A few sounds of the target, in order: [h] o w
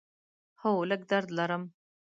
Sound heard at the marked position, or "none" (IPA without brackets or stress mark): h